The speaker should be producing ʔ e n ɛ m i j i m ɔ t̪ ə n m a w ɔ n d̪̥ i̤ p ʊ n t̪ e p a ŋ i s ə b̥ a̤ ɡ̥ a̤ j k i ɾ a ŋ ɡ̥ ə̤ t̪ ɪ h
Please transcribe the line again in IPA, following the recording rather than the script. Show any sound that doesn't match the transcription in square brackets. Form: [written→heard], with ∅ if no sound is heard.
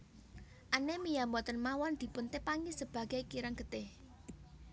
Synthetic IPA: ʔ [e→a] n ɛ m i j [i→a] m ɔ t̪ ə n m a w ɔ n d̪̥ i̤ p ʊ n t̪ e p a ŋ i s ə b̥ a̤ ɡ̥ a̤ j k i ɾ a ŋ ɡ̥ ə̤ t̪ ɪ h

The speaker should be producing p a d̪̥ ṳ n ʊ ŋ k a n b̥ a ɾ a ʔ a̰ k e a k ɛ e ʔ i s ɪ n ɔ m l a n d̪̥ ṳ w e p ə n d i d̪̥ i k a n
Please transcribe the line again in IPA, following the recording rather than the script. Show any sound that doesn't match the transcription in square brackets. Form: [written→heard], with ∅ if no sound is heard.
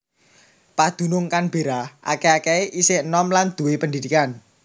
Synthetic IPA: p a d̪̥ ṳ n ʊ ŋ k a n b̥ [a→e] ɾ a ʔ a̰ k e a k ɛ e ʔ i s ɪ n ɔ m l a n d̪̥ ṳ w e p ə n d i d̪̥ i k a n

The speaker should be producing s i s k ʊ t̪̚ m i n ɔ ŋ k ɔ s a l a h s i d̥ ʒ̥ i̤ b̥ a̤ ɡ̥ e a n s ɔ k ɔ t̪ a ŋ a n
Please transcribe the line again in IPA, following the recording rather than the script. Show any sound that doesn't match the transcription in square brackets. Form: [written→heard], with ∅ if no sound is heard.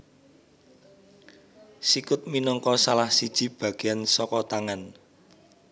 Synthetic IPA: s i [s→∅] k ʊ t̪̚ m i n ɔ ŋ k ɔ s a l a h s i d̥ ʒ̥ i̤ b̥ a̤ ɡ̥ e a n s ɔ k ɔ t̪ a ŋ a n

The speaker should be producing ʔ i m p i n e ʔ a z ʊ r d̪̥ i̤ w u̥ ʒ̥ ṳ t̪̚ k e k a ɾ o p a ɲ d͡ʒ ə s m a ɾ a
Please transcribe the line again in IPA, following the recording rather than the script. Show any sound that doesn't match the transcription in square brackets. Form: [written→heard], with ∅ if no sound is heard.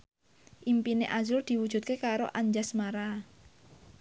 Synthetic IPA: ʔ i m p i n e ʔ a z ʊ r d̪̥ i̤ w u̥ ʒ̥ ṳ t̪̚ k e k a ɾ o [p→ʔ] a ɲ d͡ʒ [ə→a] s m a ɾ a

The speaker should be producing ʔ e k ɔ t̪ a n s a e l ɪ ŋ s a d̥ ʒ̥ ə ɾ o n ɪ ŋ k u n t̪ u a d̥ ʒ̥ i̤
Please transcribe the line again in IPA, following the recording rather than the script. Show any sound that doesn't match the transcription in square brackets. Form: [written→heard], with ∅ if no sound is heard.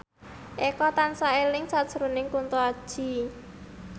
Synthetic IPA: ʔ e k ɔ t̪ a n s a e l ɪ ŋ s a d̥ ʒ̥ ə ɾ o n ɪ ŋ k u n t̪ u a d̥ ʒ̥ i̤

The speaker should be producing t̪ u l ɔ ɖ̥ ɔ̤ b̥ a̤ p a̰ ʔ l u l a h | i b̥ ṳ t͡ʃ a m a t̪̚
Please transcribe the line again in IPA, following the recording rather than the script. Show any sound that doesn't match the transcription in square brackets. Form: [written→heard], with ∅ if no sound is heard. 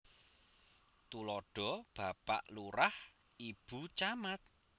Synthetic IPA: t̪ u l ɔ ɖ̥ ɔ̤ b̥ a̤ p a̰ ʔ l u [l→ɾ] a h | i b̥ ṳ t͡ʃ a m a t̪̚

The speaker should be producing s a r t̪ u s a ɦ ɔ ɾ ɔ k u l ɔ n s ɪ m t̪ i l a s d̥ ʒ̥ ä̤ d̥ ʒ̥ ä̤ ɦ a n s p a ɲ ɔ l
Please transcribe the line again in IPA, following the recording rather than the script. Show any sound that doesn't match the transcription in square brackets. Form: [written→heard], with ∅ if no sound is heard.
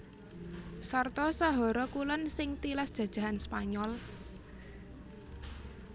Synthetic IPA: s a r t̪ [u→ɔ] s a ɦ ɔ ɾ ɔ k u l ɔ n s ɪ [m→ŋ] t̪ i l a s d̥ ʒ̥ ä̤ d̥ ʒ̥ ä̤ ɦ a n s p a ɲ ɔ l

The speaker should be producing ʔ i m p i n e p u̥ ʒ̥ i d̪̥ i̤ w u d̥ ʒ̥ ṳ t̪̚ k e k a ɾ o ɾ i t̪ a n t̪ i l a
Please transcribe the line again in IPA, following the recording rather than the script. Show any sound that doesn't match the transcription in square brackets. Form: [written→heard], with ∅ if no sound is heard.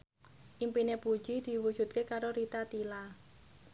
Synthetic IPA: ʔ i m p i n e p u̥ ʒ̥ i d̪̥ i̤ w u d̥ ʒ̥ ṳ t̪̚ k e k a ɾ o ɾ i t̪ a [n→∅] t̪ i l a

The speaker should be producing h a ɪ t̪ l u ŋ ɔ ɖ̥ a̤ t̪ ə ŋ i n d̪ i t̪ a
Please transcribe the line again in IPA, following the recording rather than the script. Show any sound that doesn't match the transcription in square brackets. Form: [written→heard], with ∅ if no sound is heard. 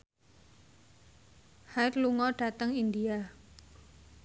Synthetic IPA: h a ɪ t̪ l u ŋ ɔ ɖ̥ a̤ t̪ ə ŋ i n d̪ i [t̪→∅] a

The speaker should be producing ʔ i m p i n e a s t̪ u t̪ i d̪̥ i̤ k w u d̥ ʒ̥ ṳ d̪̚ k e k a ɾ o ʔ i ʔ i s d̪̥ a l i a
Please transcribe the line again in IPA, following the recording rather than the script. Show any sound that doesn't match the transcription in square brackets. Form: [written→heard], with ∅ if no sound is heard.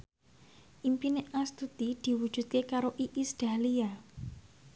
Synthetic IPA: ʔ i m p i n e a s t̪ u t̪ i d̪̥ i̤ [k→∅] w u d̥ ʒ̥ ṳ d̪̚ k e k a ɾ o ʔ i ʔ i s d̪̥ a l i a

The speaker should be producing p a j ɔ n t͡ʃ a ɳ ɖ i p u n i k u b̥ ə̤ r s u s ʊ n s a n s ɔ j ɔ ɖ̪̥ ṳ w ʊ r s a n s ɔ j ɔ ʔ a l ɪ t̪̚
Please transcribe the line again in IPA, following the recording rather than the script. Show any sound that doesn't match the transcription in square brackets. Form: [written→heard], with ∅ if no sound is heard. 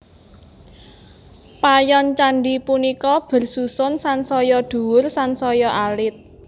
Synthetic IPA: p a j ɔ n t͡ʃ a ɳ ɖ i p u n i k [u→ɔ] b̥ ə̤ r s u s ʊ n s a n s ɔ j ɔ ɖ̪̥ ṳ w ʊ r s a n s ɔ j ɔ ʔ a l ɪ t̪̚

